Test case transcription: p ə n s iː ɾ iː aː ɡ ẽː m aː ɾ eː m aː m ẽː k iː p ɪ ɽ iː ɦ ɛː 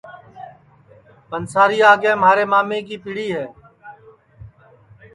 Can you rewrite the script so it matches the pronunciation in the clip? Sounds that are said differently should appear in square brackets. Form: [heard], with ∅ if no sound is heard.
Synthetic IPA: p ə n s [aː] ɾ iː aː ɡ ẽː m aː ɾ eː m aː m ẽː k iː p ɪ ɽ iː ɦ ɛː